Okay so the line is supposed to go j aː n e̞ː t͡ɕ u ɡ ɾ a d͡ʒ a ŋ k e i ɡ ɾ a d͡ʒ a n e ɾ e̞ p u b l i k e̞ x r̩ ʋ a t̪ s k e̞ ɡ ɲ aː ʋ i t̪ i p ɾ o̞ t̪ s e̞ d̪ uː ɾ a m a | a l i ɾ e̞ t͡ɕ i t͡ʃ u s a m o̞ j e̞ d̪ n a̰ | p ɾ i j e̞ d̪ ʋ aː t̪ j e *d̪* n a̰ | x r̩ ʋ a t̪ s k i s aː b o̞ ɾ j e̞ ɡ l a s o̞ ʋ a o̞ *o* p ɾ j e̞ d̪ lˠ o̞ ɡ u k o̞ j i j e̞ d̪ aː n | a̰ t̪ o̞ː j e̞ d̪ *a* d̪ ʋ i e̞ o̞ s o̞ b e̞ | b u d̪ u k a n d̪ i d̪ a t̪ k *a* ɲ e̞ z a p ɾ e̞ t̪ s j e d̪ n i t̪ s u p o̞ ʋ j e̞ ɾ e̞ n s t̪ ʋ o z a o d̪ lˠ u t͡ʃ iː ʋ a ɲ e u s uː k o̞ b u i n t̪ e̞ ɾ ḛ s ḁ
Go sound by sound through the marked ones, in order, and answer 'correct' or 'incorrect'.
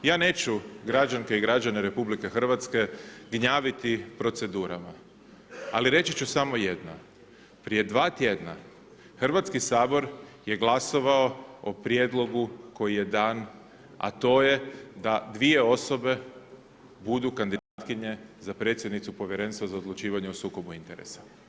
correct, correct, correct, incorrect: i

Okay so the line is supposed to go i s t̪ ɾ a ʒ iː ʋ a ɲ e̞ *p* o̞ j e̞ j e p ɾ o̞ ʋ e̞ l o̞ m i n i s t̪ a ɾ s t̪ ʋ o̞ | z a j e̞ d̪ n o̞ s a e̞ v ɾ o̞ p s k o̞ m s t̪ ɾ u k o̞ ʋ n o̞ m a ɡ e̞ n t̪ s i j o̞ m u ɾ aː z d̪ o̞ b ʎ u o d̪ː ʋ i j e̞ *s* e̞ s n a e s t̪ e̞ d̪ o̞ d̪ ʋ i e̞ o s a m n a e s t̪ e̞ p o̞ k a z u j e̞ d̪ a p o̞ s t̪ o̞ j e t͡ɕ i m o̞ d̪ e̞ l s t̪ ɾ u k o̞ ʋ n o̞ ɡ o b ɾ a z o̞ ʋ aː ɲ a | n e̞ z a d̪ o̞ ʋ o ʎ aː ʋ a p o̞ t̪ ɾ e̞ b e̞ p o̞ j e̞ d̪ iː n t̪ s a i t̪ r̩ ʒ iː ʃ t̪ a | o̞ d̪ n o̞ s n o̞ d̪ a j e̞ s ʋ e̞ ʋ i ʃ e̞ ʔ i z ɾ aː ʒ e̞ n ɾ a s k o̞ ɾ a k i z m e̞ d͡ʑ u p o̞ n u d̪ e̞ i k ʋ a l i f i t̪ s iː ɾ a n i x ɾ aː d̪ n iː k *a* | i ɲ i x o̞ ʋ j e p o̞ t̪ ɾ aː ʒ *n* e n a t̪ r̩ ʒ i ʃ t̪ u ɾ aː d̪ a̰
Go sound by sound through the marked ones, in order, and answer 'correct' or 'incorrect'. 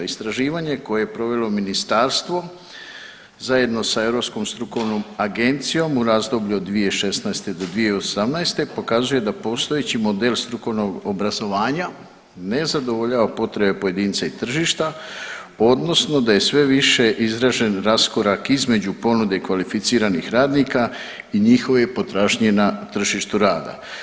incorrect: k, incorrect: ʃ, correct, incorrect: ɲ

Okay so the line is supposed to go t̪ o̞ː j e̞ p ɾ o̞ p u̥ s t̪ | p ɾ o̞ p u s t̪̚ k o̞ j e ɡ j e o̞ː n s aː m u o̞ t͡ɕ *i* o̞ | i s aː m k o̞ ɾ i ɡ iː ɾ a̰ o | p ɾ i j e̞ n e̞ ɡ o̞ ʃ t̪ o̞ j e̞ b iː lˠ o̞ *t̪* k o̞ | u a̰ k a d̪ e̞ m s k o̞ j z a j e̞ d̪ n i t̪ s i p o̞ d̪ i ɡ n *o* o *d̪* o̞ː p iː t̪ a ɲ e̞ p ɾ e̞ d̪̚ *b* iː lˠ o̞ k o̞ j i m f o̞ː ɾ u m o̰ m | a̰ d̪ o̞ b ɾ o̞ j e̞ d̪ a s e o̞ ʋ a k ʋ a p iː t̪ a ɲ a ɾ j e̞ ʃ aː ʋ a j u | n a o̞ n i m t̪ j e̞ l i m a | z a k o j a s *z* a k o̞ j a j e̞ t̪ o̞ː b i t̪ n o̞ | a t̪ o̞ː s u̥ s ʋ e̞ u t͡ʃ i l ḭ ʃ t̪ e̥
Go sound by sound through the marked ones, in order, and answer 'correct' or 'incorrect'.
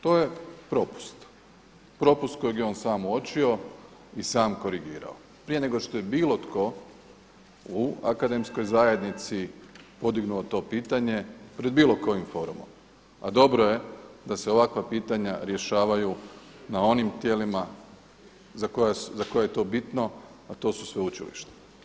correct, correct, incorrect: u, incorrect: t̪, correct, correct

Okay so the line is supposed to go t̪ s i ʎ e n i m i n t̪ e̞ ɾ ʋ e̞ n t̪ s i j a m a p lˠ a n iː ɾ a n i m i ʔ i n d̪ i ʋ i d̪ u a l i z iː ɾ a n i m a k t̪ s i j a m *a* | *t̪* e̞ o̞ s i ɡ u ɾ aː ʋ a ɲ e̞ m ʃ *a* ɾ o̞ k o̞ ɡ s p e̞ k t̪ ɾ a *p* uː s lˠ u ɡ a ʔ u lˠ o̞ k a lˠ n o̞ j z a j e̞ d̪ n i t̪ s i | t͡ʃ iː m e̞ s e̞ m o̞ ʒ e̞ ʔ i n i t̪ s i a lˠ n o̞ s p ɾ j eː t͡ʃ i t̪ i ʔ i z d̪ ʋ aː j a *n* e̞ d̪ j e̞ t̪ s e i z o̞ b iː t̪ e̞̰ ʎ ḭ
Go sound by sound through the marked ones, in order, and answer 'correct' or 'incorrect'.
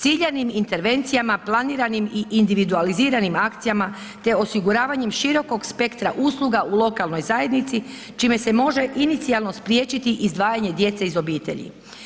correct, correct, incorrect: i, incorrect: ʔ, incorrect: ɲ

